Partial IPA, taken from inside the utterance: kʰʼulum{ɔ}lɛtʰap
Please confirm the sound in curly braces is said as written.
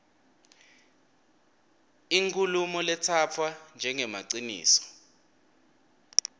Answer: yes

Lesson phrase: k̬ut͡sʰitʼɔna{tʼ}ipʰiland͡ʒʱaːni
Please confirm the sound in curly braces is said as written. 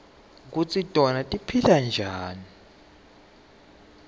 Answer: yes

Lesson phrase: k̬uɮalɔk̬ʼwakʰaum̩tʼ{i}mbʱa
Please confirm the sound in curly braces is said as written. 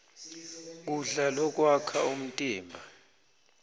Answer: no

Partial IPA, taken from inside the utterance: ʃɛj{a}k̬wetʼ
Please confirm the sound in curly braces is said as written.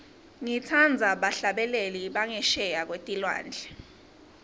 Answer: yes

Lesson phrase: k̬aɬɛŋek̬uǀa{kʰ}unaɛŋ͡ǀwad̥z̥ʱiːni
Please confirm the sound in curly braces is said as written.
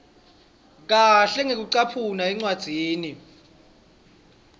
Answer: no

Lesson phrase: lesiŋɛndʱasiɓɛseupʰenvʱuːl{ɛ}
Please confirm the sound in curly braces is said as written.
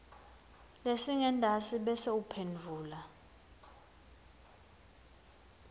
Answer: no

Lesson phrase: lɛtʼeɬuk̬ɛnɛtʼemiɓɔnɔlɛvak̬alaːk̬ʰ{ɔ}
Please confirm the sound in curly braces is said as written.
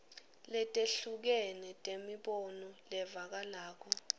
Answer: yes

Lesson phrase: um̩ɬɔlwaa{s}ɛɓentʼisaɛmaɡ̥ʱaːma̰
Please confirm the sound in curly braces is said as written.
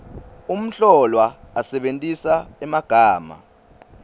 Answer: yes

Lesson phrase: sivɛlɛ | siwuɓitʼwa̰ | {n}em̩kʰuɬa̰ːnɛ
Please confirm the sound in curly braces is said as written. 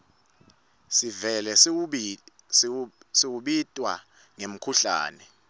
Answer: no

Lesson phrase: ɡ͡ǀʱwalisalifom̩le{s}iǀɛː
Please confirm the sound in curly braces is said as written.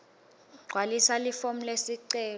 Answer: yes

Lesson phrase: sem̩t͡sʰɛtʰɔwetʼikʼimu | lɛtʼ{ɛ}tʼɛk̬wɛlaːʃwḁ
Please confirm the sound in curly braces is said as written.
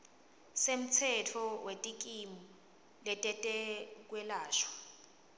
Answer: yes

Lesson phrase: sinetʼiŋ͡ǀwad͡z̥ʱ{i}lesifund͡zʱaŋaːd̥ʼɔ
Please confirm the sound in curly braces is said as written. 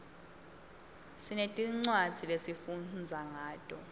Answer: yes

